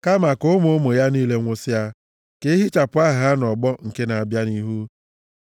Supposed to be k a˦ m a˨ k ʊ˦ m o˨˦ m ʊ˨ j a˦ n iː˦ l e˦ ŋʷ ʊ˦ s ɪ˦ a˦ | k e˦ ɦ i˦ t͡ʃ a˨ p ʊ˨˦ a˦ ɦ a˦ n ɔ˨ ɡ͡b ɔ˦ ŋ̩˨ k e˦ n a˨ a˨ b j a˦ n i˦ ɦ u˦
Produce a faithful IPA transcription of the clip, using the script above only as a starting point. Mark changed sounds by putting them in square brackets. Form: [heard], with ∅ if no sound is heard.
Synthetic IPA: k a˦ m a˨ k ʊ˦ m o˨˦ m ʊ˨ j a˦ n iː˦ l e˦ ŋʷ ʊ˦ s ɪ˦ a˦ | k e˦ ɦ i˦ t͡ʃ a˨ p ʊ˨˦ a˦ ɦ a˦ n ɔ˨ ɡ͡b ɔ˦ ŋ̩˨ k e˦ n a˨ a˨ b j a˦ n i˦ ɦ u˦